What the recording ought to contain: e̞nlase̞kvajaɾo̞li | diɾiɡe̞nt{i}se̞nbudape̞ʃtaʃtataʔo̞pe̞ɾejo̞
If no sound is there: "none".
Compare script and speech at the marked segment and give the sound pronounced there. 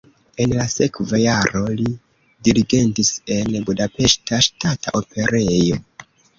i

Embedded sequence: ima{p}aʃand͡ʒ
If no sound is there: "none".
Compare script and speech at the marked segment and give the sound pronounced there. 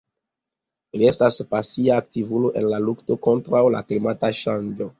t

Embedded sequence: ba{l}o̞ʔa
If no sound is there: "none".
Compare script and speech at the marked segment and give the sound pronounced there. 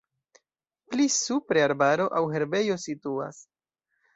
ɾ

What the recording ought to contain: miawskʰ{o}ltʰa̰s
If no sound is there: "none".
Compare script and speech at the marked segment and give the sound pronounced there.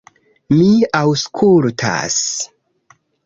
u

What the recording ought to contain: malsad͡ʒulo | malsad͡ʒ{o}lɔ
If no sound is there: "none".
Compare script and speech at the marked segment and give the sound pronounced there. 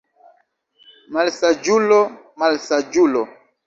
u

